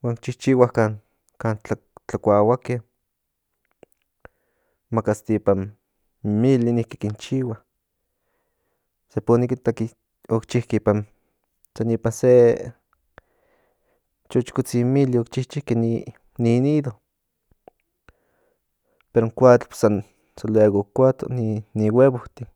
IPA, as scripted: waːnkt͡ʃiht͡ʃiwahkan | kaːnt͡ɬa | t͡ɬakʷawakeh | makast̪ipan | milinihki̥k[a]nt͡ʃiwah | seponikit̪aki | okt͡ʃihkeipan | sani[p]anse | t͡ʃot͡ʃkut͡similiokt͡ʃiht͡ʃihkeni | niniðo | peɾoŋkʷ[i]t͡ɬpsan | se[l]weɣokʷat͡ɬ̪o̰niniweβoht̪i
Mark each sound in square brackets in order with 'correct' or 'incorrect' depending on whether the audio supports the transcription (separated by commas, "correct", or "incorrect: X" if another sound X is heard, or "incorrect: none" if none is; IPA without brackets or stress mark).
incorrect: i, correct, incorrect: a, correct